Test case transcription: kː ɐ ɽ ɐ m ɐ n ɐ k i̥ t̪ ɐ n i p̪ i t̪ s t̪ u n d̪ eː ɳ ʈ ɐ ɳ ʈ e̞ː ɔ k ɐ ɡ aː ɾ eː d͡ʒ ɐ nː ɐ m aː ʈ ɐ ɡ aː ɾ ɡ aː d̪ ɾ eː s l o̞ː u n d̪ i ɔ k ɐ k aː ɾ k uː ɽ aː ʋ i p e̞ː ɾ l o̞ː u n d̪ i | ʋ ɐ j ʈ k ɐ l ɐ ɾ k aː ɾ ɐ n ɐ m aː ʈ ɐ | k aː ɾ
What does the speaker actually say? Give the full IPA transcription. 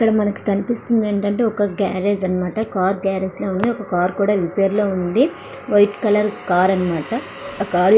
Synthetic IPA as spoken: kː ɐ ɽ ɐ m ɐ n ɐ k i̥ t̪ ɐ n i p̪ i s t̪ u n d̪ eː ɳ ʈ ɐ ɳ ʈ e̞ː ɔ k ɐ ɡ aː ɾ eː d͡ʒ ɐ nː ɐ m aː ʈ ɐ k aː ɾ ɡ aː ɾ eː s l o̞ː u n d̪ i ɔ k ɐ k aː ɾ k uː ɽ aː ʋ i p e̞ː ɾ l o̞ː u n d̪ i | ʋ ɐ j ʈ k ɐ l ɐ ɾ k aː ɾ ɐ n ɐ m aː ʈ ɐ | k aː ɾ